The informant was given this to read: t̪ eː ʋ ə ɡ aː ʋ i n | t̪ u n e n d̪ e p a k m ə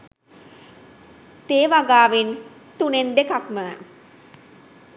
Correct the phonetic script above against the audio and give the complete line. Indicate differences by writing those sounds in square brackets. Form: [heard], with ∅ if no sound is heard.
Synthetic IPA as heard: t̪ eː ʋ [a] ɡ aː ʋ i n | t̪ u n e n d̪ e [k] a k m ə